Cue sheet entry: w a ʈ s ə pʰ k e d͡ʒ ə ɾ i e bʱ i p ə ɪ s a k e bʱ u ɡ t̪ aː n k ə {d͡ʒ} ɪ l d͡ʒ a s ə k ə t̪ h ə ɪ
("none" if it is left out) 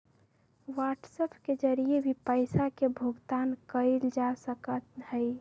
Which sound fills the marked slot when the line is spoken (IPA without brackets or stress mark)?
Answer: none